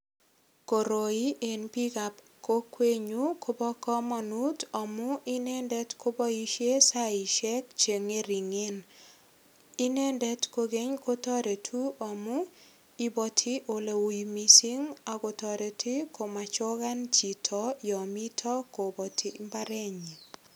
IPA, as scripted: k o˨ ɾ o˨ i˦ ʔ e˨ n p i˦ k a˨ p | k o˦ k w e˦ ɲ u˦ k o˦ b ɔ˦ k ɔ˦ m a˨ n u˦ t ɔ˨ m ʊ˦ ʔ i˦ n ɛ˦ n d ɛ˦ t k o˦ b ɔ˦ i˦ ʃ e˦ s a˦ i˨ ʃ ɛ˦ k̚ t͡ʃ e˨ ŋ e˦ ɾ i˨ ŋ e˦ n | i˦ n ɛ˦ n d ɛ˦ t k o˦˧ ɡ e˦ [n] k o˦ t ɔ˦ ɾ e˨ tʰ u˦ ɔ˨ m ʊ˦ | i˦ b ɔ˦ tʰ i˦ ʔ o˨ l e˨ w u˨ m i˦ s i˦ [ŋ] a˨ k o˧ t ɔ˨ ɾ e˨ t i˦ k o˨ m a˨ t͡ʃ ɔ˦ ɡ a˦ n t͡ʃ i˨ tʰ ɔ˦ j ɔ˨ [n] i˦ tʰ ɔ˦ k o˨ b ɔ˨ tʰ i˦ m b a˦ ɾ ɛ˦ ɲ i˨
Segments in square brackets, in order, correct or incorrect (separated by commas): incorrect, correct, incorrect